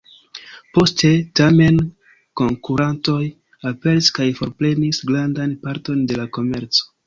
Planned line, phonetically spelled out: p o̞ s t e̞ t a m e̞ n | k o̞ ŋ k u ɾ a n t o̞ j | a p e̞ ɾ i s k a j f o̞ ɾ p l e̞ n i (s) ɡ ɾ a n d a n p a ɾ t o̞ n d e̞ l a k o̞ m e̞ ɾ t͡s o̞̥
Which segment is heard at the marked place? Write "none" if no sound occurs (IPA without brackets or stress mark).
s